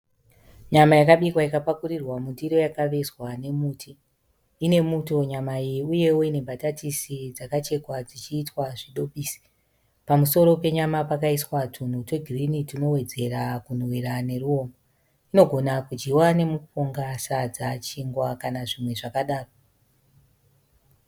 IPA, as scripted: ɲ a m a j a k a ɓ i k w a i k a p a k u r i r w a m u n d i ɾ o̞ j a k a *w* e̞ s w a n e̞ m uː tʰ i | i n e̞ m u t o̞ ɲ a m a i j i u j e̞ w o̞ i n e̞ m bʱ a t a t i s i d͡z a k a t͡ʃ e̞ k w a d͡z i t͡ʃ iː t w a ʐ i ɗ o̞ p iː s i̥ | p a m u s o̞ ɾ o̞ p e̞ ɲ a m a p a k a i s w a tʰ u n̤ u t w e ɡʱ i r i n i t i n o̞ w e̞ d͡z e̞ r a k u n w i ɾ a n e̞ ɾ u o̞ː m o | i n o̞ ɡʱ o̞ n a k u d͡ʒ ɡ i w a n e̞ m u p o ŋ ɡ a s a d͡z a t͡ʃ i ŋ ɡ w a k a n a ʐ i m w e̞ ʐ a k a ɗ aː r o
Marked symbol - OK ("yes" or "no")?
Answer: no